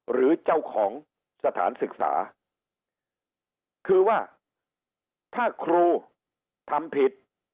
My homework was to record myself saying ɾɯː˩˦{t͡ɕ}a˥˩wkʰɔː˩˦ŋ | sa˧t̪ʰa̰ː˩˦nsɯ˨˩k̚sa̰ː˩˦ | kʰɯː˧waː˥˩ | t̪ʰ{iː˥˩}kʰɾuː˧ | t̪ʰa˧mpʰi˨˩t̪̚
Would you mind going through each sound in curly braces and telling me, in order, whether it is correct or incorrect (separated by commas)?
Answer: correct, incorrect